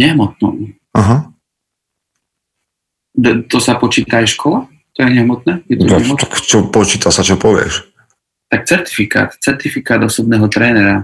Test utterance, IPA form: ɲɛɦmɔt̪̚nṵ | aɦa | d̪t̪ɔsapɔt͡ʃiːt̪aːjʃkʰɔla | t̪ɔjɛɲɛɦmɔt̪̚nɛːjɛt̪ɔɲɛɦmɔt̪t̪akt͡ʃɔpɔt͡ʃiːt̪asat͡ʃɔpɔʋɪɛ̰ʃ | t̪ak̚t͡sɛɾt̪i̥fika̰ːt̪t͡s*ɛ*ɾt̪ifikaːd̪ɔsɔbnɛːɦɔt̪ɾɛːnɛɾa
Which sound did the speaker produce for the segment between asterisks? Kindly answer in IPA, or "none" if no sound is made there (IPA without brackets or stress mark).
ɛ